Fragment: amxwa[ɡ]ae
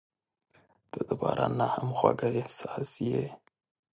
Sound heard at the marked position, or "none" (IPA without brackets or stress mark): ɡ